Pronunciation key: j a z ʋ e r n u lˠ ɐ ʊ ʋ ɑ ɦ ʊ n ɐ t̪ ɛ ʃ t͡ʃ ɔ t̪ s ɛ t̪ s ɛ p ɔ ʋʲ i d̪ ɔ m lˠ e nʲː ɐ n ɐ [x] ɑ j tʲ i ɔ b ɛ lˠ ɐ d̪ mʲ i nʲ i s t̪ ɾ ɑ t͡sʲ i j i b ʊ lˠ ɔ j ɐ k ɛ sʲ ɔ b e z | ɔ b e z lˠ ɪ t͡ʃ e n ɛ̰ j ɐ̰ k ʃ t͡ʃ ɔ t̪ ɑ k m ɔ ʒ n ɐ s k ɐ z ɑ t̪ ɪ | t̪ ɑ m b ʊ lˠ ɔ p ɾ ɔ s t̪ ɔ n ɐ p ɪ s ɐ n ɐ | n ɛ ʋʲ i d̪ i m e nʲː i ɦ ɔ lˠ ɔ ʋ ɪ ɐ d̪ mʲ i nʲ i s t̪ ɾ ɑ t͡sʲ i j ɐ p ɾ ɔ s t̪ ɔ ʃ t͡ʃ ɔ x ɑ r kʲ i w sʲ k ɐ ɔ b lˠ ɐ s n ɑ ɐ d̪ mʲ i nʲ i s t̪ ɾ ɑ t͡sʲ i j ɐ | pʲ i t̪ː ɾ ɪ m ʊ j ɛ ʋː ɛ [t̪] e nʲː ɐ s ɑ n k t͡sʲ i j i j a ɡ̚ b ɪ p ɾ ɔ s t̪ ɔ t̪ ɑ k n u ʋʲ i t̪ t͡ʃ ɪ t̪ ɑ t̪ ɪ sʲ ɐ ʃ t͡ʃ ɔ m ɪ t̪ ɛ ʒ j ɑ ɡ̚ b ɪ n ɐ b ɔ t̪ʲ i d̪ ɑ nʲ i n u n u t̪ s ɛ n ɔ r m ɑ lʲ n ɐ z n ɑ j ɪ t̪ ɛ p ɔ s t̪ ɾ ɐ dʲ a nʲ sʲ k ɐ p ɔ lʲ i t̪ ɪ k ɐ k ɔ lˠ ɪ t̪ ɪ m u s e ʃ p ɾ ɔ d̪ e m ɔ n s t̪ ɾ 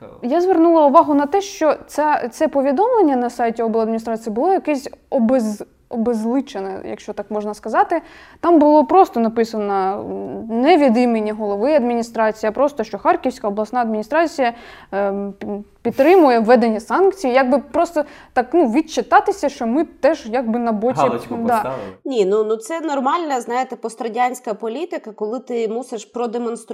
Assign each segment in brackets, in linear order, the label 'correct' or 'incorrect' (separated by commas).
incorrect, incorrect